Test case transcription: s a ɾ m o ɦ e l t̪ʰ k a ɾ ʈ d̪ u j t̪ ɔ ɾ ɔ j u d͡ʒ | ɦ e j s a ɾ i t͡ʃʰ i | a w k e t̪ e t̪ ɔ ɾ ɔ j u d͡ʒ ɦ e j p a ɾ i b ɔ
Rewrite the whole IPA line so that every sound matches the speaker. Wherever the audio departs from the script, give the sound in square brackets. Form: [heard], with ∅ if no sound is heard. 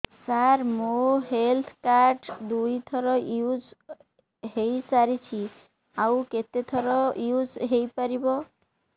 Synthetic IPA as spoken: s a ɾ m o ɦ e l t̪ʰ k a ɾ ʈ d̪ u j [t̪ʰ] ɔ ɾ ɔ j u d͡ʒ | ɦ e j s a ɾ i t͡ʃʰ i | a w k e t̪ e [t̪ʰ] ɔ ɾ ɔ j u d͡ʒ ɦ e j p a ɾ i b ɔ